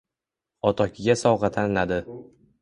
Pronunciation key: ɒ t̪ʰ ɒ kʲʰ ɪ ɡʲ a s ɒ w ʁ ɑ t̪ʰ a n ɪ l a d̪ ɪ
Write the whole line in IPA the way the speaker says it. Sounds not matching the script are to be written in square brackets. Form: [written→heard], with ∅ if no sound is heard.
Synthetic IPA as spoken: ɒ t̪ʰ ɒ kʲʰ ɪ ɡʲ a s ɒ w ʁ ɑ t̪ʰ a n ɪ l a d̪ ɪ